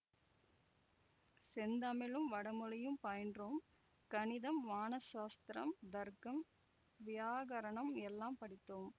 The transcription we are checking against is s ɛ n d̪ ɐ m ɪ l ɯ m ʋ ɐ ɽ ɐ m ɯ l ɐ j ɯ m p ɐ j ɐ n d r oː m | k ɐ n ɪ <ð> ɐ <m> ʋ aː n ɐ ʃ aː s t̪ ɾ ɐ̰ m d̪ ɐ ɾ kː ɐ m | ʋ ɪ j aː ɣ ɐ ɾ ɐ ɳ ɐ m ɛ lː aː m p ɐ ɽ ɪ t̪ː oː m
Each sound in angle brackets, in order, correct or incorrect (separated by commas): correct, correct